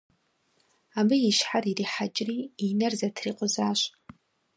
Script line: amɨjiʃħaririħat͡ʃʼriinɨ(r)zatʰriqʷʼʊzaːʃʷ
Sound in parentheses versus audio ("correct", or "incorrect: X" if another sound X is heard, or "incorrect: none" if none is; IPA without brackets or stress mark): correct